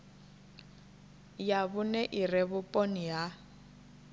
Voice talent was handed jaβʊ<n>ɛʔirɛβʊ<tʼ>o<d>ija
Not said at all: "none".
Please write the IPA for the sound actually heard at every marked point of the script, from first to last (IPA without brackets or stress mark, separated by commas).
n, pʼ, n